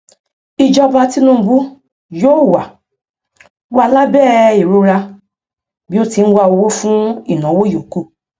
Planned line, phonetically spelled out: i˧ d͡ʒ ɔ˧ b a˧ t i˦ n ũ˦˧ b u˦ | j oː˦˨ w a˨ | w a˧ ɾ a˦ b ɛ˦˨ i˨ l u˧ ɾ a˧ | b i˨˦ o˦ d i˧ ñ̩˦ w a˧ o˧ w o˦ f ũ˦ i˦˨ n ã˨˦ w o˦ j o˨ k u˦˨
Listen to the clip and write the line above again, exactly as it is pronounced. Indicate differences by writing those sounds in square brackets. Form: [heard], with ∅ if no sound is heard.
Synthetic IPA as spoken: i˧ d͡ʒ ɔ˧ b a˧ t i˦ n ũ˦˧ b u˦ | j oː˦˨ w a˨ | w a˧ [l] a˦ b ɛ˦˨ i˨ [ɾ] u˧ ɾ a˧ | b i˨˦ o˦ [t] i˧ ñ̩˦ w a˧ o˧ w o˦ f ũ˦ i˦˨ n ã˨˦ w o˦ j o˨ k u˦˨